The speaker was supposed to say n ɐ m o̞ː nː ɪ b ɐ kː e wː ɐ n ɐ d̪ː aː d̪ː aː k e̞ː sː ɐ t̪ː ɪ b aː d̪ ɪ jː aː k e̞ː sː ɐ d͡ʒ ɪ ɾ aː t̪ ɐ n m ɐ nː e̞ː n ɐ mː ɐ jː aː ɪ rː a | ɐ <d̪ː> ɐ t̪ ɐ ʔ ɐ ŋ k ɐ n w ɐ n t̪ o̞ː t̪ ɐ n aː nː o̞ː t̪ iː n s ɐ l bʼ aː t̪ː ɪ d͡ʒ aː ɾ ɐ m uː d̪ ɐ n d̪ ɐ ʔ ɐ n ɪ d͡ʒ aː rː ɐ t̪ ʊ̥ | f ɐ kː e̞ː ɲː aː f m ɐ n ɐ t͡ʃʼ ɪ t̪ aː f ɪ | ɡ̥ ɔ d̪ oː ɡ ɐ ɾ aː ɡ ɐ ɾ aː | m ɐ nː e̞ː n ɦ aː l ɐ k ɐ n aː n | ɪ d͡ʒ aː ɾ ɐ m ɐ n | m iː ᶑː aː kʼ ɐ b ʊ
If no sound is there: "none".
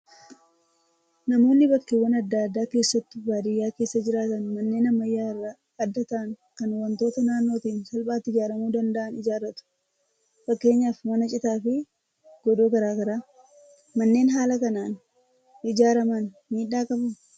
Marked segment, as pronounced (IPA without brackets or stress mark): d̪ː